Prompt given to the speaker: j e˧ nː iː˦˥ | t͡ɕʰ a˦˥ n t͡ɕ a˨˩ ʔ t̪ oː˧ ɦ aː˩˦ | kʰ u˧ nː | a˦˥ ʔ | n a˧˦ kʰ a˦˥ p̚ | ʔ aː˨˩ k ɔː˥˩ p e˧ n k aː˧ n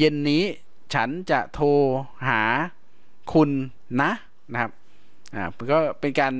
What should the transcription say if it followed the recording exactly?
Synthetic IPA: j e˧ nː iː˦˥ | t͡ɕʰ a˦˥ n t͡ɕ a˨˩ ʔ t̪ʰ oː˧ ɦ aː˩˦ | kʰ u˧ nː | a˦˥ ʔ | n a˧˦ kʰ a˦˥ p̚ | ʔ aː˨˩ k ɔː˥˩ p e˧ n k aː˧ n